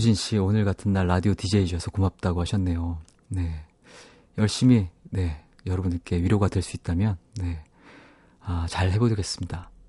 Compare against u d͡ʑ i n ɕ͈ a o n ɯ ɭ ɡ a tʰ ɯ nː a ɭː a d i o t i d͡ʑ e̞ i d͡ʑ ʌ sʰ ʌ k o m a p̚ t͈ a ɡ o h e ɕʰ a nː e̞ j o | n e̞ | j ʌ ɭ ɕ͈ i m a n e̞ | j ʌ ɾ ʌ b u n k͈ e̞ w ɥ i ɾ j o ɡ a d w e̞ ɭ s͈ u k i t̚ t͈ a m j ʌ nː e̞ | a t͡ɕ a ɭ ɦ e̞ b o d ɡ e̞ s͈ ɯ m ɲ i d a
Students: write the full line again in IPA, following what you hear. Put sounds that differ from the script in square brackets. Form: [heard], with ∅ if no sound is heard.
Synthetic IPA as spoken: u d͡ʑ i n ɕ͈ [i] o n ɯ ɭ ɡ a tʰ ɯ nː a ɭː a d i o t i d͡ʑ e̞ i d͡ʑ ʌ sʰ ʌ k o m a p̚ t͈ a ɡ o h [a] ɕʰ [ʌ] nː e̞ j o | n e̞ | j ʌ ɭ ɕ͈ i m [i] n e̞ | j ʌ ɾ ʌ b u n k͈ e̞ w ɥ i ɾ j o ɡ a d w e̞ ɭ s͈ u [∅] i t̚ t͈ a m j ʌ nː e̞ | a t͡ɕ a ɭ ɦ e̞ b o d ɡ e̞ s͈ ɯ m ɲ i d a